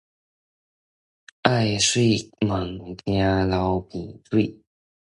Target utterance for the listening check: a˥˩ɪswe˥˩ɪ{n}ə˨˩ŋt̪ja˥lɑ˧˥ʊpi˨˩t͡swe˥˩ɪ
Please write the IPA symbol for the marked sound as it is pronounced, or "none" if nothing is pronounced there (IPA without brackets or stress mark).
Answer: m